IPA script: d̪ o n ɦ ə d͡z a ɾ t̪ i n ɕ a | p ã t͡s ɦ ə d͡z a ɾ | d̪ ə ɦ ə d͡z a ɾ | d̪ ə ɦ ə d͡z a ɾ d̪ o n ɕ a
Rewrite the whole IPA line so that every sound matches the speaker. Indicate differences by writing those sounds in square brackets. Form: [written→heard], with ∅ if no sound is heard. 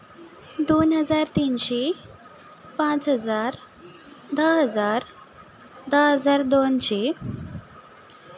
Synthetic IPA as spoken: d̪ o n ɦ ə d͡z a ɾ t̪ i n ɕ [a→e] | p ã t͡s ɦ ə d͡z a ɾ | d̪ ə ɦ ə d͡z a ɾ | d̪ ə ɦ ə d͡z a ɾ d̪ o n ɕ [a→e]